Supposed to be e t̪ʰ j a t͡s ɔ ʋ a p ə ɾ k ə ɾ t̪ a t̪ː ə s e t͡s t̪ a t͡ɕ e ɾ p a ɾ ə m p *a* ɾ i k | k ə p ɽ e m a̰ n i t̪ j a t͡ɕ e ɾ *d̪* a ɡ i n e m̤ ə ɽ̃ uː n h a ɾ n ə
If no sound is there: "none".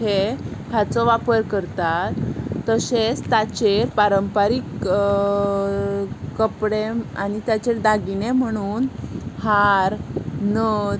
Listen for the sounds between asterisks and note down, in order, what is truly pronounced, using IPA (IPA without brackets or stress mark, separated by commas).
a, d̪